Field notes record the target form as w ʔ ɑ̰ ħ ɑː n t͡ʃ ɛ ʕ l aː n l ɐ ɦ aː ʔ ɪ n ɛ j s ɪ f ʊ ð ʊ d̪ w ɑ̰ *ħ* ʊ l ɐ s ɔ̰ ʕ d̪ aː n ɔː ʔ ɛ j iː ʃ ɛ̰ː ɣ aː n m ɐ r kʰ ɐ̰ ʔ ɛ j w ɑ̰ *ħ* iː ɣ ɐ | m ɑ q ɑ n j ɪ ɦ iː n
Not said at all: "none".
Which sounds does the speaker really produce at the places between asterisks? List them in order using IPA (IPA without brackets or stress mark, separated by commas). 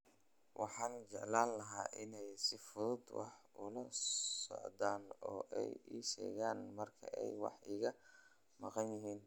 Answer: ħ, ħ